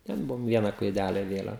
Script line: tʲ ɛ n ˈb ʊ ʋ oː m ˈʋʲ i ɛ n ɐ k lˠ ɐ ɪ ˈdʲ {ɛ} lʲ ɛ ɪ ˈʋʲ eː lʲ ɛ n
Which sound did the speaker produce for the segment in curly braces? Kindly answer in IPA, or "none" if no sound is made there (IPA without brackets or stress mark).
æ